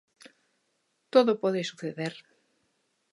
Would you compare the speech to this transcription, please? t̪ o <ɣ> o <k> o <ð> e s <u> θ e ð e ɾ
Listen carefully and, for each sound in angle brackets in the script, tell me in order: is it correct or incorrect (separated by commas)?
incorrect, incorrect, correct, correct